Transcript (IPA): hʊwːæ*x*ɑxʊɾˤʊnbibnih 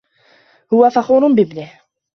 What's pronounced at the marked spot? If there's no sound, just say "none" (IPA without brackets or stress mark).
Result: f